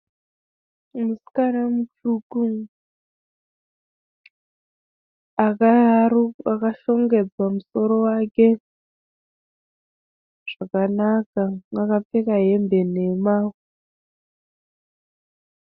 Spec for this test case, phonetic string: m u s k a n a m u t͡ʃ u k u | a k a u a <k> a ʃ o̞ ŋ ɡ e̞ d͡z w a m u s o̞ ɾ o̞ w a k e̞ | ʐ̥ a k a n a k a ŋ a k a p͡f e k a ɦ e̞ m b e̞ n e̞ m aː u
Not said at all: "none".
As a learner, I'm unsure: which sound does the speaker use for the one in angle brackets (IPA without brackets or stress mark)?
k